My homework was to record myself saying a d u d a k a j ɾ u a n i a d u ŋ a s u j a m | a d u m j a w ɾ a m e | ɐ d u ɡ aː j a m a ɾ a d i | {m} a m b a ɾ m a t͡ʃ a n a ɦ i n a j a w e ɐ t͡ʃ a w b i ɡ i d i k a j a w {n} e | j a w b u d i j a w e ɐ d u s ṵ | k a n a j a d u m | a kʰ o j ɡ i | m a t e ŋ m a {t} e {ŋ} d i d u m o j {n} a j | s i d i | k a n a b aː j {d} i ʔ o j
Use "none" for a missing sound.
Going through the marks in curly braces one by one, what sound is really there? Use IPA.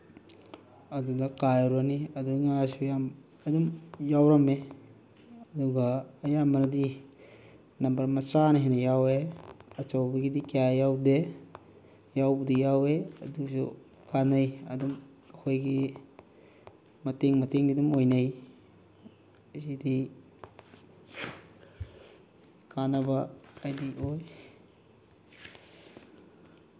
n, d, t, ŋ, n, d

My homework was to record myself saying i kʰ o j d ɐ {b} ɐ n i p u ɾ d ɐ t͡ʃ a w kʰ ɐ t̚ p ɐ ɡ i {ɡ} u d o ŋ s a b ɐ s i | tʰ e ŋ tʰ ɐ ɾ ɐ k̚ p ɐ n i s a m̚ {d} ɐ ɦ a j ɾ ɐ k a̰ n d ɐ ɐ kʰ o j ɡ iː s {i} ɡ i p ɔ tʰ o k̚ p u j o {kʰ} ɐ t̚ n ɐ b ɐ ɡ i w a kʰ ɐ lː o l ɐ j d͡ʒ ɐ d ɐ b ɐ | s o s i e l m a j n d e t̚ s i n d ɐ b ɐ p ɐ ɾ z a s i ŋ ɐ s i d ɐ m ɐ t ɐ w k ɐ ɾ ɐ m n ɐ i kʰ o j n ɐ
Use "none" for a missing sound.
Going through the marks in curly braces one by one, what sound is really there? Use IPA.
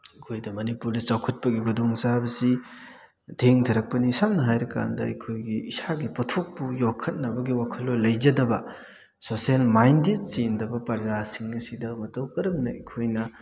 m, ɡ, n, a, kʰ

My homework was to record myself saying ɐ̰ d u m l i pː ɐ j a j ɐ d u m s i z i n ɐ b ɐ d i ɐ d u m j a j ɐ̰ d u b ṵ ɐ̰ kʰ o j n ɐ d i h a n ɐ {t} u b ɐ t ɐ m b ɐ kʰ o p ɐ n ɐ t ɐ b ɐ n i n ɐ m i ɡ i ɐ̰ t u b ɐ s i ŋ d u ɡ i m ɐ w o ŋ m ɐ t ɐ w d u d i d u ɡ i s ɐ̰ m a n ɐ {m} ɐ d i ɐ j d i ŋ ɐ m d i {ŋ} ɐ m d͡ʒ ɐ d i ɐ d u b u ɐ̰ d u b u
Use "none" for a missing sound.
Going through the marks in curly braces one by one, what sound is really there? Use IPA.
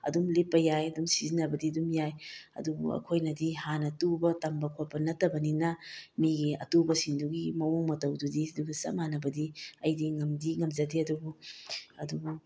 t, b, ŋ

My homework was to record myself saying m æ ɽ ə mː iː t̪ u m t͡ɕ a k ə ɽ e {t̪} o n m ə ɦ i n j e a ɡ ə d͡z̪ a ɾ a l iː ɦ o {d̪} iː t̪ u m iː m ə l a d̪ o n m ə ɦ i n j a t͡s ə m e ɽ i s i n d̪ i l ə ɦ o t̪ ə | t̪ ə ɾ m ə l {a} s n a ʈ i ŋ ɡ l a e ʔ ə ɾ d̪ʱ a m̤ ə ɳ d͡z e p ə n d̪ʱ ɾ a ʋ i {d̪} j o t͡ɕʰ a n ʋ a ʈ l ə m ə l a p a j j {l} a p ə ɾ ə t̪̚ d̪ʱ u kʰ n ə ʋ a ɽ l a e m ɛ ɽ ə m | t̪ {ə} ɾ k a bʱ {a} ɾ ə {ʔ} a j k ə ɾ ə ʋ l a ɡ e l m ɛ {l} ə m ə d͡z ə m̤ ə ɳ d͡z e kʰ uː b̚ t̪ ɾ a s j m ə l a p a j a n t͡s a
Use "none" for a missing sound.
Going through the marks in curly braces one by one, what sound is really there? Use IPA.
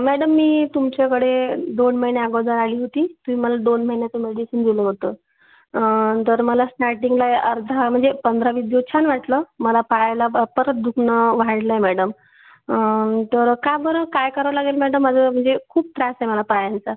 d̪, t̪, a, d̪, l, ə, ə, k, ɽ

